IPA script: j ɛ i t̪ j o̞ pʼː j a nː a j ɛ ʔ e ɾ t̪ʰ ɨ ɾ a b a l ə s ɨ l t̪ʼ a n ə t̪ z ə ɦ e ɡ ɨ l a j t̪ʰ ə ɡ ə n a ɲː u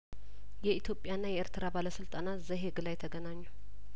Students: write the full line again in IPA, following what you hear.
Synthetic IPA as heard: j ɛ i t̪ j o̞ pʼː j a nː a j ɛ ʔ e ɾ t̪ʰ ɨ ɾ a b a l ə s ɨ l t̪ʼ a n a t̪ z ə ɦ e ɡ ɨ l a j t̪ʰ ə ɡ ə n a ɲː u